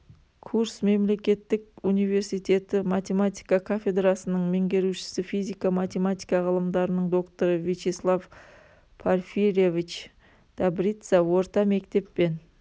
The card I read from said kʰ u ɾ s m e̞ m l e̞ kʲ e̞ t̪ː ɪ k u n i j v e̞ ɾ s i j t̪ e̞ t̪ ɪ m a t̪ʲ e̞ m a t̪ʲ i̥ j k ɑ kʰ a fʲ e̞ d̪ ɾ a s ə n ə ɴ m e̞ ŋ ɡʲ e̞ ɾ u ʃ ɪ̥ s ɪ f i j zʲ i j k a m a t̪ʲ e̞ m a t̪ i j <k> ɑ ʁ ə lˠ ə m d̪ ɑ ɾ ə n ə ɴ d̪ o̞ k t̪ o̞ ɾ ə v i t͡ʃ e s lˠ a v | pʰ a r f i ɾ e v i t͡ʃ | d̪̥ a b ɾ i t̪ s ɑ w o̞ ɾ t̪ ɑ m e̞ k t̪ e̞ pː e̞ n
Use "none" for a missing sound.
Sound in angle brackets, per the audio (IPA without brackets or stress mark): k